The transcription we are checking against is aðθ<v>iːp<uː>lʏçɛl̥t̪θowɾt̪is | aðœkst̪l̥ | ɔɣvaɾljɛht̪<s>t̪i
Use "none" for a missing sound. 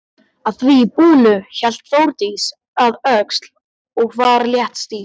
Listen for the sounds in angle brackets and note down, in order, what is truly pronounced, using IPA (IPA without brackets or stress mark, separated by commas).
v, uː, s